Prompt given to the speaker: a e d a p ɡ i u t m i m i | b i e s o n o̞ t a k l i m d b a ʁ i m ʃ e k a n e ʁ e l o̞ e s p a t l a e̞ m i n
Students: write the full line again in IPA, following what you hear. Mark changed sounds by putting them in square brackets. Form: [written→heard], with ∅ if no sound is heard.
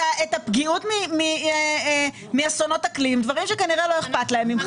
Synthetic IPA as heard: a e [d→t] a p ɡ i u t m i m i | [b→m] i [e→a] s o n o̞ t a k l i m d [b→v] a ʁ i m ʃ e k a n [e→i] ʁ e l o̞ e [s→χ] p a t l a e̞ m i [n→m]